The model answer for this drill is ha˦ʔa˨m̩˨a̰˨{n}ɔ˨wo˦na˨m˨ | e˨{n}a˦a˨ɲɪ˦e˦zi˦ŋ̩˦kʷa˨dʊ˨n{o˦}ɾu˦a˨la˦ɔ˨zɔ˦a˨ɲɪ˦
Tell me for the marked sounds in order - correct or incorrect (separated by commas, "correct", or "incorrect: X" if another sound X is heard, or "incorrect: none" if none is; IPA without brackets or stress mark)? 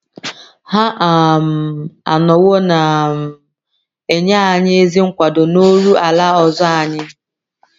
correct, incorrect: ɲ, correct